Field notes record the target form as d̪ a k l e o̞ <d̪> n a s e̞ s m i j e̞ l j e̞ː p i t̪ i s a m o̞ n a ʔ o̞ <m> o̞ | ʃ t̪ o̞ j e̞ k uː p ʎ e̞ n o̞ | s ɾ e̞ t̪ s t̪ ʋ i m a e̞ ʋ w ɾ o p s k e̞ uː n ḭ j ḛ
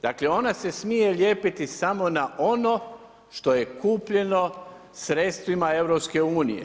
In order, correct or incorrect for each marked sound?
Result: incorrect: none, incorrect: n

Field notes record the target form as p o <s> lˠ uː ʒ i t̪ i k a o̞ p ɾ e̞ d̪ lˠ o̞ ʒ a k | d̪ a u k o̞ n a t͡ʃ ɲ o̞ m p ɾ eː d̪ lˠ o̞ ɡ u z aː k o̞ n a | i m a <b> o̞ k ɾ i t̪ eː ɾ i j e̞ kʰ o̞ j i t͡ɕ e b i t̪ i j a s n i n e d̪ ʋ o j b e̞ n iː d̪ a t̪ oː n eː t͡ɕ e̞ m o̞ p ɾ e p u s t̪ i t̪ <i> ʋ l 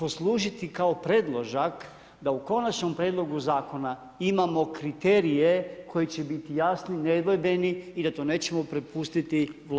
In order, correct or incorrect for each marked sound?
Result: correct, incorrect: m, correct

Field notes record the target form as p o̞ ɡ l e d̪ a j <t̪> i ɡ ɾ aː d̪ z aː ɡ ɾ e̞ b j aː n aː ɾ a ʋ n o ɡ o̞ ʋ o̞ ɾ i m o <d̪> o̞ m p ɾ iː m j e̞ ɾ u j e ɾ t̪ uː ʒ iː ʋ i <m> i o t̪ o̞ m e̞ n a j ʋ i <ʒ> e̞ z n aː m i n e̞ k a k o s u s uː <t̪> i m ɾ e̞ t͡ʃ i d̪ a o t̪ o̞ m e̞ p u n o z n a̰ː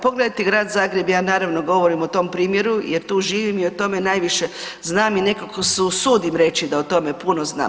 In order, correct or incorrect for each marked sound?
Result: correct, incorrect: t̪, correct, incorrect: ʃ, incorrect: d̪

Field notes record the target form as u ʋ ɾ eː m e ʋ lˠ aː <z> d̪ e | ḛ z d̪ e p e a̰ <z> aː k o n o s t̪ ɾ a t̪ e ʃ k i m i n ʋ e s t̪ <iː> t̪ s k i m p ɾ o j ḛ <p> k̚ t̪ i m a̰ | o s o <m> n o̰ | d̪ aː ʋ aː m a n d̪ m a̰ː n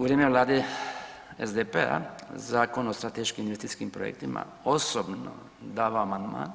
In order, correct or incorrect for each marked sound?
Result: incorrect: none, correct, incorrect: i, incorrect: none, incorrect: b

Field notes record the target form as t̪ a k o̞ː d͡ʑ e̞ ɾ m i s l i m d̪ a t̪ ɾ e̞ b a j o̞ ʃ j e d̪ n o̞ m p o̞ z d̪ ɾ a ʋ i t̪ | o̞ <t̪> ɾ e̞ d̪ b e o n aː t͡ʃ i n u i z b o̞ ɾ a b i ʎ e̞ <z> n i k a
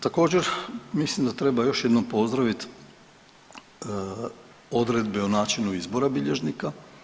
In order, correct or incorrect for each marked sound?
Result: incorrect: d̪, incorrect: ʒ

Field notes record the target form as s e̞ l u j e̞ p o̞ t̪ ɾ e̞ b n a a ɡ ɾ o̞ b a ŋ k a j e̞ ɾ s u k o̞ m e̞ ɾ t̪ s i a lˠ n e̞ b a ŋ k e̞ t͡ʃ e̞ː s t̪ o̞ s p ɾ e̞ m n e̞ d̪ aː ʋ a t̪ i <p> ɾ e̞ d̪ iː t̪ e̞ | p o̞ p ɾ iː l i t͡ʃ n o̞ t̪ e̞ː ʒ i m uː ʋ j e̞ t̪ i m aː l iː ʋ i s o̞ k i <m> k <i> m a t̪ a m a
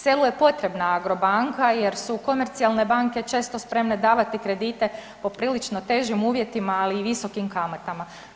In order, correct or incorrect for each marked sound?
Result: incorrect: k, correct, incorrect: a

